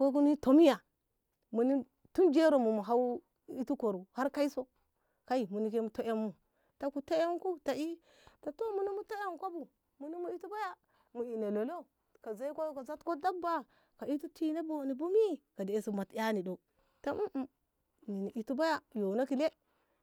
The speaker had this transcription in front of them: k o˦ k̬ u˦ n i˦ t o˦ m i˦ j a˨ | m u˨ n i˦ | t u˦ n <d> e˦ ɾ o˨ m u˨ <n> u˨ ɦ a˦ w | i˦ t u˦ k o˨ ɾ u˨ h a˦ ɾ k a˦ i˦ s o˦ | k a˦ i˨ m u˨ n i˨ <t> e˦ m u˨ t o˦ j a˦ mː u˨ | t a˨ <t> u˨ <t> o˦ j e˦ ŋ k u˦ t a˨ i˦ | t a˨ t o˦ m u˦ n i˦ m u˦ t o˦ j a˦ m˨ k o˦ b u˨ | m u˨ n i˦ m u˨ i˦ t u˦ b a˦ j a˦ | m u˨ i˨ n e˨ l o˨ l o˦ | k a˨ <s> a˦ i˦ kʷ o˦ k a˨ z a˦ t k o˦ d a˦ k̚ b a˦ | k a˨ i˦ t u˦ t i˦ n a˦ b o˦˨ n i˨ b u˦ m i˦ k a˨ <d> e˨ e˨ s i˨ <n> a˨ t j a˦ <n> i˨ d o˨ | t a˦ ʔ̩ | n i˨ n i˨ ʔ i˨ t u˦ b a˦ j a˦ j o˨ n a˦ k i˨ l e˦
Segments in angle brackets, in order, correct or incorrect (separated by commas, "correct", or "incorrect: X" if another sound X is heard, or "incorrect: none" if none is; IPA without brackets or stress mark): incorrect: d͡ʒ, incorrect: m, incorrect: k, incorrect: k, correct, incorrect: z, correct, incorrect: m, correct